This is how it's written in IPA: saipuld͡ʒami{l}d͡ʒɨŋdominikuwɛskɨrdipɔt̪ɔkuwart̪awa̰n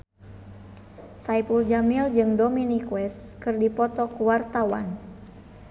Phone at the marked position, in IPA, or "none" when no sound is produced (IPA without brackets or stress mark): l